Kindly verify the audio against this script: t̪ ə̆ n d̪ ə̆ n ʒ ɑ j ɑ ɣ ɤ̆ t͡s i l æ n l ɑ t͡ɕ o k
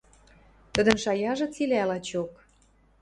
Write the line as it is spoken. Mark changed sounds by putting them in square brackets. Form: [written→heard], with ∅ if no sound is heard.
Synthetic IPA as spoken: t̪ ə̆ [n→∅] d̪ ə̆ n [ʒ→ʃ] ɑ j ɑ [ɣ→ʒ] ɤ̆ t͡s i l æ [n→∅] l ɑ t͡ɕ o k